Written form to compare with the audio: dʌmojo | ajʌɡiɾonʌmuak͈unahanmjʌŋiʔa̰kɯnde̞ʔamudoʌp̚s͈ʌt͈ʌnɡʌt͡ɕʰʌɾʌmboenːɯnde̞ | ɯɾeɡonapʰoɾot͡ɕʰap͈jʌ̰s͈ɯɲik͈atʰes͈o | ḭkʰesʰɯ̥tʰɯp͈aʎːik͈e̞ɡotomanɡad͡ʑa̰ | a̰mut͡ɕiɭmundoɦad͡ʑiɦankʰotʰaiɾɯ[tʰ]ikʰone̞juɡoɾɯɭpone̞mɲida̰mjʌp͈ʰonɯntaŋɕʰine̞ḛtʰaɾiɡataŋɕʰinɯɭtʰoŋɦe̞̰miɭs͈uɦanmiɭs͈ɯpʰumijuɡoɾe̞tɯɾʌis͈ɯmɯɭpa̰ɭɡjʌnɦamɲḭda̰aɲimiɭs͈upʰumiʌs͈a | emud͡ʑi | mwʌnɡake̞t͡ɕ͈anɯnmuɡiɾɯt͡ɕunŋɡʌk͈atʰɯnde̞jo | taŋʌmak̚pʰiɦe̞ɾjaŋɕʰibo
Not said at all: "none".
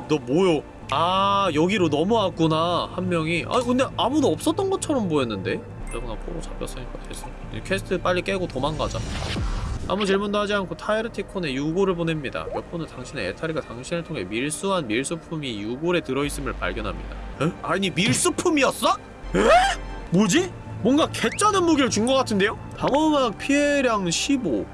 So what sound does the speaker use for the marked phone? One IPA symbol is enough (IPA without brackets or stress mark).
tʰ